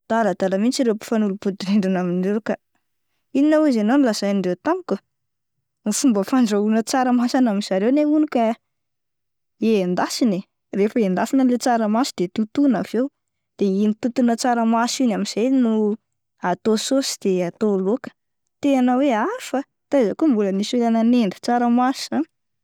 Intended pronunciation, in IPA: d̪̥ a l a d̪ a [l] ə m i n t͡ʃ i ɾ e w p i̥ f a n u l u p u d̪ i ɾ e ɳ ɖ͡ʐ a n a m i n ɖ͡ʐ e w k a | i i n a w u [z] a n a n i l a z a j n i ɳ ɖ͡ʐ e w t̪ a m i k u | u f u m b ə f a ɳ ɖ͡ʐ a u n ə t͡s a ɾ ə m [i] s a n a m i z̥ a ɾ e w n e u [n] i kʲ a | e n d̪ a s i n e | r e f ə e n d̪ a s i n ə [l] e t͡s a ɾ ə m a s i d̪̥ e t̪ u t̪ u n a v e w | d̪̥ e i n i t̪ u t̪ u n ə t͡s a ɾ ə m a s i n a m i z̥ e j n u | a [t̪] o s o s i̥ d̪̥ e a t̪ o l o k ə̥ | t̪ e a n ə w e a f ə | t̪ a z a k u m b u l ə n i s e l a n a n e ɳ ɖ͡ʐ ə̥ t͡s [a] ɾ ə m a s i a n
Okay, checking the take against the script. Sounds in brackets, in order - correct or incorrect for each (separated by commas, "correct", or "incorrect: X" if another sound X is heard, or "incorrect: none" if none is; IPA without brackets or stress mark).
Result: correct, correct, incorrect: a, correct, correct, correct, correct